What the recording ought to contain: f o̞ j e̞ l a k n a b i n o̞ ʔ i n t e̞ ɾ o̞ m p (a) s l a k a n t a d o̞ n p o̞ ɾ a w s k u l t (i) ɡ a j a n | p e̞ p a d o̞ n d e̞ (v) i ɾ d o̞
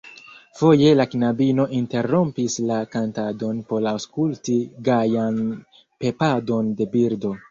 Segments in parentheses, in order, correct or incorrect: incorrect: i, correct, incorrect: b

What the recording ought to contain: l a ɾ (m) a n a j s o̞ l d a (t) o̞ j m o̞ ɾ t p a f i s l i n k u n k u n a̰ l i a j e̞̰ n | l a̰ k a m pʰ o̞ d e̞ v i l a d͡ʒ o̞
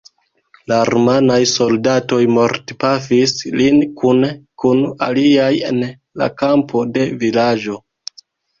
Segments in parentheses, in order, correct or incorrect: correct, correct

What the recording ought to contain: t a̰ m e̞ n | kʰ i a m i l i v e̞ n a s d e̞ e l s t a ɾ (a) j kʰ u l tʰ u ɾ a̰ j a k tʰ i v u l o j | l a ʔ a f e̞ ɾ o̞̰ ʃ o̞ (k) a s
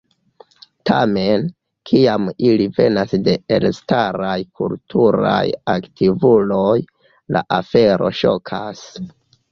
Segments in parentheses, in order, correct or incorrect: correct, incorrect: kʰ

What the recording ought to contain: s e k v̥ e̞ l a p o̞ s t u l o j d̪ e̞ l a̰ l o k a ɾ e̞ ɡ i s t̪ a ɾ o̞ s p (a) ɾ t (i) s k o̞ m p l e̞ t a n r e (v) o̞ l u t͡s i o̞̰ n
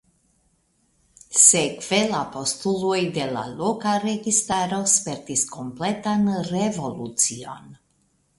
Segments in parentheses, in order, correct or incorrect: incorrect: e, correct, correct

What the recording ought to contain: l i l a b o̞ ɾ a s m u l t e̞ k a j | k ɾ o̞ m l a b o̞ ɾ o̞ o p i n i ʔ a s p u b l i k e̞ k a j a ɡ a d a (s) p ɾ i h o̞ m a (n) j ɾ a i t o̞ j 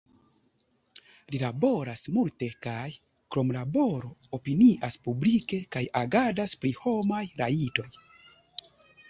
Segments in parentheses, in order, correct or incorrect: correct, incorrect: none

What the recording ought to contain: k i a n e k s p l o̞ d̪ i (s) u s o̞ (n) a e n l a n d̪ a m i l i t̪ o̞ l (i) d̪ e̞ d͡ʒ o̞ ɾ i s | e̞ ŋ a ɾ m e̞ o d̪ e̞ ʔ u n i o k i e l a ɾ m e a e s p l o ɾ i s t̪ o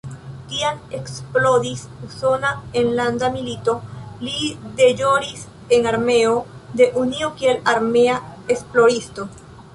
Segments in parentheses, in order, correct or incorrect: correct, correct, correct

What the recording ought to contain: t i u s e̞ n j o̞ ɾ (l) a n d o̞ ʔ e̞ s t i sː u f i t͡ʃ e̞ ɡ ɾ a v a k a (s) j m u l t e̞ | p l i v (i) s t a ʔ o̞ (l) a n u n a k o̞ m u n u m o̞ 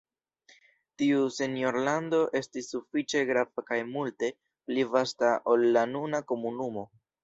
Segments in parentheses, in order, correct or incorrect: correct, incorrect: none, incorrect: a, incorrect: lː

